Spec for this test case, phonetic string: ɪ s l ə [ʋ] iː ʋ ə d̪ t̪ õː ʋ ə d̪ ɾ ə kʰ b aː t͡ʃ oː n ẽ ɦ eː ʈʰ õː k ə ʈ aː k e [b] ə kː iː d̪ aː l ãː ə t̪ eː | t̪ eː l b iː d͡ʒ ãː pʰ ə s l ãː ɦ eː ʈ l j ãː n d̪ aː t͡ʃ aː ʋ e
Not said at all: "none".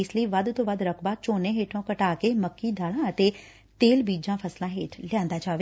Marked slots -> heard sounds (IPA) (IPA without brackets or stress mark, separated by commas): none, m